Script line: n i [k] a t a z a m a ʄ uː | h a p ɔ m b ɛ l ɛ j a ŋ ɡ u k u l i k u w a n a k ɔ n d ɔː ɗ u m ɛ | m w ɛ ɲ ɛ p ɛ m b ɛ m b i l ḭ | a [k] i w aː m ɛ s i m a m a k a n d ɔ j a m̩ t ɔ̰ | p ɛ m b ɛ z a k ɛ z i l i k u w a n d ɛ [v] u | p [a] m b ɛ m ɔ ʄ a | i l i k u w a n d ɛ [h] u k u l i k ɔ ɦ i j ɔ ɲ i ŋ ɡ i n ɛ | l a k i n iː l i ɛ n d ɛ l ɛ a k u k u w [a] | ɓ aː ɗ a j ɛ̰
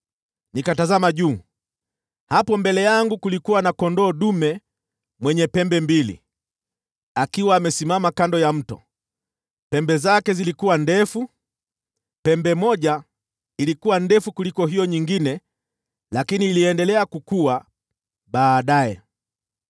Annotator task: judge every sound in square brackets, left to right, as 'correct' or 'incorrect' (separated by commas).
correct, correct, incorrect, incorrect, incorrect, correct